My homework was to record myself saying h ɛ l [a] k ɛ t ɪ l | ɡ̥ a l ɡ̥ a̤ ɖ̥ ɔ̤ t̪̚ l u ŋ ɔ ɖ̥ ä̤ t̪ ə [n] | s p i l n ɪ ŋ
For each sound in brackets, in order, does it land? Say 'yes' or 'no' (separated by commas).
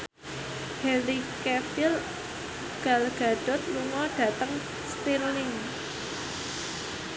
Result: no, no